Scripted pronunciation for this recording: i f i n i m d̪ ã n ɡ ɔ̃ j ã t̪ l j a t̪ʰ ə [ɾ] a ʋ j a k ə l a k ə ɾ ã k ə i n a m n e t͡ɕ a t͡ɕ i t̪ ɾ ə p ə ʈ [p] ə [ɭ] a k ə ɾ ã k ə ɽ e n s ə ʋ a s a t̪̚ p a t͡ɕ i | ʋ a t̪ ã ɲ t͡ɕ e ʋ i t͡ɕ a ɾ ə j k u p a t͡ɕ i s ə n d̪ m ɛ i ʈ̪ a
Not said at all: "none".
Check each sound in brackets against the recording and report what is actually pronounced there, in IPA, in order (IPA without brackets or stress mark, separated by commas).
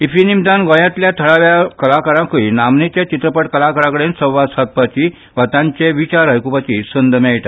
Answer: ɭ, k, l